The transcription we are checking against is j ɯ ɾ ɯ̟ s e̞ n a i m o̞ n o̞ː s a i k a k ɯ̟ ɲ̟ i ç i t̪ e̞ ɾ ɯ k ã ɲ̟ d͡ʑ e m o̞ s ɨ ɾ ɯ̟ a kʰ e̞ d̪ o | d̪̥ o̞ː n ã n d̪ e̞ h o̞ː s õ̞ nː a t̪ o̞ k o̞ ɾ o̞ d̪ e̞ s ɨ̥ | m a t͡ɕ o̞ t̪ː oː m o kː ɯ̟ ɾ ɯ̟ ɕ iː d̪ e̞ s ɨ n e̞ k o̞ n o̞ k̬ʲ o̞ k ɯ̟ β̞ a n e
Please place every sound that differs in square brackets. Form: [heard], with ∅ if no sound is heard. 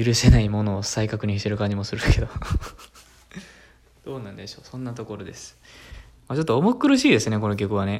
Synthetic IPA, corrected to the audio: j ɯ ɾ ɯ̟ s e̞ n a i m o̞ n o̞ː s a i k a k ɯ̟ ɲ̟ i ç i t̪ e̞ ɾ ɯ k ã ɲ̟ d͡ʑ [i] m o̞ s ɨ ɾ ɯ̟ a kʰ e̞ d̪ o | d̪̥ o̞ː n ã n d̪ e̞ [ɕ] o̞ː s õ̞ nː a t̪ o̞ k o̞ ɾ o̞ d̪ e̞ s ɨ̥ | m a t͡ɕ o̞ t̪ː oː m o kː ɯ̟ ɾ ɯ̟ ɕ iː d̪ e̞ s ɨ n e̞ k o̞ n o̞ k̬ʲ o̞ k ɯ̟ β̞ a n e